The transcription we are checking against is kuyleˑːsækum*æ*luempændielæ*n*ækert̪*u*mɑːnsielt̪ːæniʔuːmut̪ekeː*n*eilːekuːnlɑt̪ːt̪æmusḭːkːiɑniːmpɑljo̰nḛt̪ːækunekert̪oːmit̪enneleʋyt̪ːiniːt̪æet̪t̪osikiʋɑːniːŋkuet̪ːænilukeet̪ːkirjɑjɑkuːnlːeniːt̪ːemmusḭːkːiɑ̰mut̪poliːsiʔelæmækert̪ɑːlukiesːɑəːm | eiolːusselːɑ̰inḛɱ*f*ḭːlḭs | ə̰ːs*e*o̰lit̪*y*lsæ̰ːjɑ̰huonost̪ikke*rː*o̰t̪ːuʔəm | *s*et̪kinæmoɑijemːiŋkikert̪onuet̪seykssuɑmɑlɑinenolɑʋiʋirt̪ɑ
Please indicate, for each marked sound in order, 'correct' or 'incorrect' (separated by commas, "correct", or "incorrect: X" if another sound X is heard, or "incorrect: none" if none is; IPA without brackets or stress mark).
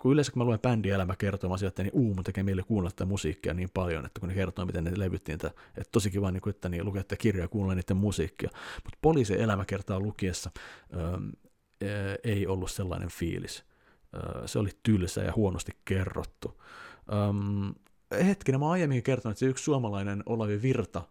correct, incorrect: m, incorrect: o, incorrect: m, correct, correct, correct, correct, incorrect: h